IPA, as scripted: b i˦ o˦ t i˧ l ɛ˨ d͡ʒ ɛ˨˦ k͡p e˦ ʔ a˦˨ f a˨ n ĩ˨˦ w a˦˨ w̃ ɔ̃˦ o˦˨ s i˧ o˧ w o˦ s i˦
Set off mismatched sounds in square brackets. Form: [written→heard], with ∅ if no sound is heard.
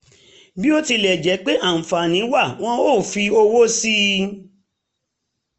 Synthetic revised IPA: b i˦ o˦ t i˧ l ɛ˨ d͡ʒ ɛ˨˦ k͡p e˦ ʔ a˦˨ f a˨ n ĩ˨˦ w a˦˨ w̃ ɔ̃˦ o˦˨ [s→f] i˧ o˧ w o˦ s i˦